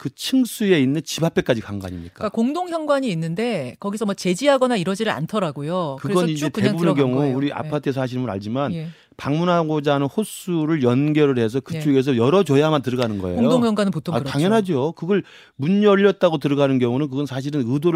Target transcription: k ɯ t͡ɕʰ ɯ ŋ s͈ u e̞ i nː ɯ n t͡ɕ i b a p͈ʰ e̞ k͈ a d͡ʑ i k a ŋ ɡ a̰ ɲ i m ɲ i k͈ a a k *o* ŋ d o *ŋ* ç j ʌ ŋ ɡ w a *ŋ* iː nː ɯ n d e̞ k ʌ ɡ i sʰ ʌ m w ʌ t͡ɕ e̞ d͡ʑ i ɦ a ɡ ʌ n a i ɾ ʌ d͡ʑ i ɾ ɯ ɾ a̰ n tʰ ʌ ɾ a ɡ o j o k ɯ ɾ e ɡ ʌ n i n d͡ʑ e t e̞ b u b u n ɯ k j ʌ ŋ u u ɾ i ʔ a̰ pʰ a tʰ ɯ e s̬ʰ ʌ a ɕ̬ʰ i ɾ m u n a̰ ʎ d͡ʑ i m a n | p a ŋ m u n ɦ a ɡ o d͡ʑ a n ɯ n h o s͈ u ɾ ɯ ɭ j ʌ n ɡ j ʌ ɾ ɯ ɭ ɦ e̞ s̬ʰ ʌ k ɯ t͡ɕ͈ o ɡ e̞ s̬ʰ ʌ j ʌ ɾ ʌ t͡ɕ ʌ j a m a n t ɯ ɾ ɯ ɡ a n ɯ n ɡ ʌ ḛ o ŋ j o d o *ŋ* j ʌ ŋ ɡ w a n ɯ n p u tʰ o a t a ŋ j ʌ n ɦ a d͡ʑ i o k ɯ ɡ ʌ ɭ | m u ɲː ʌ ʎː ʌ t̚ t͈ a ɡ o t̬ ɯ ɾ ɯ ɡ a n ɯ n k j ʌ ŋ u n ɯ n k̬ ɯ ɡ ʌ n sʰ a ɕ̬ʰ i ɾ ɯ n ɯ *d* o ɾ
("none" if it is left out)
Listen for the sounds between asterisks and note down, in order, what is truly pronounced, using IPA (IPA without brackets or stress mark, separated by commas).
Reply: o, ŋ, ɲ, ŋ, d